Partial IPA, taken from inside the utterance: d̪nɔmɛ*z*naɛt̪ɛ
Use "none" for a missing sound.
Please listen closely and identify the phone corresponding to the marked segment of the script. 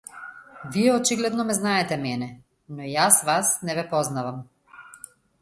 z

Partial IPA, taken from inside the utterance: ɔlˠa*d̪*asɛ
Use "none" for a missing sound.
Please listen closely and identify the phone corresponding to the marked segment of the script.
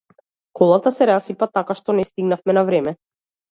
t̪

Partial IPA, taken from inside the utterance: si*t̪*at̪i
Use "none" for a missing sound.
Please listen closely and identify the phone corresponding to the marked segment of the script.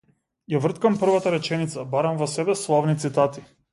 t̪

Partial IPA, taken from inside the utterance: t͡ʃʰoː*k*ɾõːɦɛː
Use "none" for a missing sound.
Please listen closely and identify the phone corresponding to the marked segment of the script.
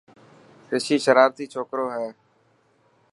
k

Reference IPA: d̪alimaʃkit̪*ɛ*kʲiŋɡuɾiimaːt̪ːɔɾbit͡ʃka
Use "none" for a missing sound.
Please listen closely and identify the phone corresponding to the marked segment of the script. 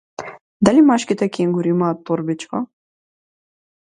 ɛ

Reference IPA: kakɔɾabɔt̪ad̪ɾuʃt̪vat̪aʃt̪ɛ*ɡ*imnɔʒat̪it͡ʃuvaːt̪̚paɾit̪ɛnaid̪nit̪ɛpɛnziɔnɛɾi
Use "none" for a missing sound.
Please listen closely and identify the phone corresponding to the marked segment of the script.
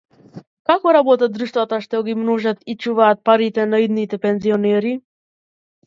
ɡ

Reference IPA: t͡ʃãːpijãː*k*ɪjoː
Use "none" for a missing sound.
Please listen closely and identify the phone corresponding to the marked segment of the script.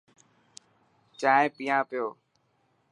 p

